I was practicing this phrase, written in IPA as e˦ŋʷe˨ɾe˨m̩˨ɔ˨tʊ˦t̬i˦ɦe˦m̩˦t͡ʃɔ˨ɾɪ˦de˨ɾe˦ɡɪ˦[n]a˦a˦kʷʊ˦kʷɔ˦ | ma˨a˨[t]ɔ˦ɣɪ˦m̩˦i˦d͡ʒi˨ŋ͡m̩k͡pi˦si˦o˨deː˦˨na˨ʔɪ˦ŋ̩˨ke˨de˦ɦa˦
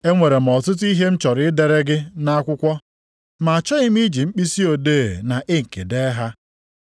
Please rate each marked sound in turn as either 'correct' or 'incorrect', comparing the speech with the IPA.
correct, incorrect

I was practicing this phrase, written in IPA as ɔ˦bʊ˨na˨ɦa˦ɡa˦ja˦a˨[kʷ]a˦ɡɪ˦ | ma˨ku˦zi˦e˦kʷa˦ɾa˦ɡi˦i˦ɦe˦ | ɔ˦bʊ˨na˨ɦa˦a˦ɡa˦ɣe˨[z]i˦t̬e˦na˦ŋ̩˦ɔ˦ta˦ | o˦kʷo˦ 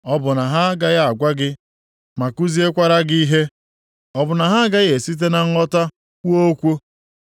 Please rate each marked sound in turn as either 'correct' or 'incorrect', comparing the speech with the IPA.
incorrect, incorrect

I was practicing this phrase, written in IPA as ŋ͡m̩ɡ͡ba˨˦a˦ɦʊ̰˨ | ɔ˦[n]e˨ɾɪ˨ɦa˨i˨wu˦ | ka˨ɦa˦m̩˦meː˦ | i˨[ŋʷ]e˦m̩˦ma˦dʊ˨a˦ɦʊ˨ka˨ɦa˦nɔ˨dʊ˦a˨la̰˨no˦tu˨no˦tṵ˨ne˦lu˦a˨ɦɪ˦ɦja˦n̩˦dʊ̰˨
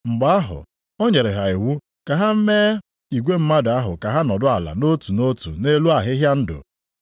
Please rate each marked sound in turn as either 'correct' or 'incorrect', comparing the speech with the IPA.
incorrect, incorrect

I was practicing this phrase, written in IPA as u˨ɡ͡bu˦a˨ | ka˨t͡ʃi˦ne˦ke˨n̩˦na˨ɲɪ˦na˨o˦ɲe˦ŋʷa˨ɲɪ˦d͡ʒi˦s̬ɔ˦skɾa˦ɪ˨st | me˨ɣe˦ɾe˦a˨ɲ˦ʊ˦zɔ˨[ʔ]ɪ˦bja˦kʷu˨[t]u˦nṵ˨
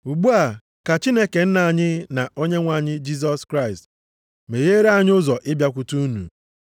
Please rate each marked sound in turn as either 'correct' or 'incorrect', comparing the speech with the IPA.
correct, correct

